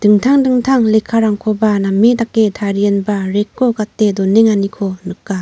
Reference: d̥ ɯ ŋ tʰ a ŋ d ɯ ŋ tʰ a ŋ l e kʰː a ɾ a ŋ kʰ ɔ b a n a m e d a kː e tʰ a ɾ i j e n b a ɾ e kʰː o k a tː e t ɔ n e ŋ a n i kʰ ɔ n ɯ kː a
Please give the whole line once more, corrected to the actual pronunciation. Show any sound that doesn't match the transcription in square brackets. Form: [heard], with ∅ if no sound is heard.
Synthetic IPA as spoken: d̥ ɯ ŋ tʰ a ŋ d ɯ ŋ tʰ a ŋ l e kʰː a ɾ a ŋ kʰ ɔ b a n a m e d a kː e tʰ a ɾ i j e n b a ɾ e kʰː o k a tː e [d] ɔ n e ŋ a n i kʰ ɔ n ɯ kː a